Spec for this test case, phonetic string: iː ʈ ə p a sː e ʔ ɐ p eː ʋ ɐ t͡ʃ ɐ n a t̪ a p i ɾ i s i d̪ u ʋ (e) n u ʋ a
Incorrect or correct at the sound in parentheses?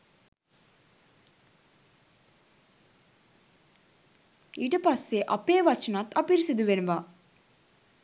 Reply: correct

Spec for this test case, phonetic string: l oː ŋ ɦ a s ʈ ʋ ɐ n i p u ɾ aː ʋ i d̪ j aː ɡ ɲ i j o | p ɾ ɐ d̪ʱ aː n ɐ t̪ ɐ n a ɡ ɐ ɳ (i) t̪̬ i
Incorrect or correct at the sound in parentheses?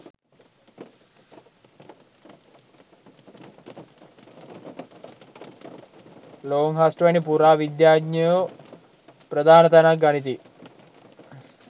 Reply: correct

